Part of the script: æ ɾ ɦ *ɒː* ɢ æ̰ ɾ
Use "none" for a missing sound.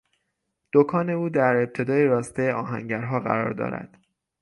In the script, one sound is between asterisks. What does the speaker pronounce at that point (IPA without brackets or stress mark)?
ɒː